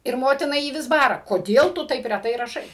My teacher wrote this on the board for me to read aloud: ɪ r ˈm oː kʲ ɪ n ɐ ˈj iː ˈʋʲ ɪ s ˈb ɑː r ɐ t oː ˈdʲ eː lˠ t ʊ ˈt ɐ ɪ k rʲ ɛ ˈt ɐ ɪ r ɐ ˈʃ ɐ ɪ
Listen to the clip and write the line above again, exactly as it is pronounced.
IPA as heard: ɪ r ˈm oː tʲ ɪ n ɐ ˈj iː ˈʋʲ ɪ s ˈb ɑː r ɐ k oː ˈdʲ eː lˠ t ʊ ˈt ɐ ɪ p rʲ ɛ ˈt ɐ ɪ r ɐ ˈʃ ɐ ɪ